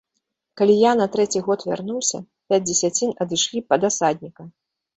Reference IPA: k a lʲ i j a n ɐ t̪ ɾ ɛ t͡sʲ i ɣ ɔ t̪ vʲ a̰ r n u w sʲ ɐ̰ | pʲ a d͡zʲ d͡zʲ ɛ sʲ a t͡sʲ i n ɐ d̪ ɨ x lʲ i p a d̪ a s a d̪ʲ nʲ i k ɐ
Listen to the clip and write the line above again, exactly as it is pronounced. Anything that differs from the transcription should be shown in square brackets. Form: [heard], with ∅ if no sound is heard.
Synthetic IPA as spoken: k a lʲ i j a n ɐ t̪ ɾ ɛ t͡sʲ i ɣ ɔ t̪ vʲ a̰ r n u w sʲ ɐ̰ | pʲ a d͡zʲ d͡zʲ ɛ sʲ a t͡sʲ i n ɐ d̪ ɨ [ʂ] lʲ i p [ɐ] d̪ a s a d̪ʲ nʲ i k ɐ